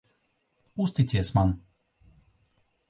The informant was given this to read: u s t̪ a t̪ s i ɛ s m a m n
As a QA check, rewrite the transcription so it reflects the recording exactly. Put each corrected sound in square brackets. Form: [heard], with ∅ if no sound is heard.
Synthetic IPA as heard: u s t̪ [i] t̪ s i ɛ s m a [∅] n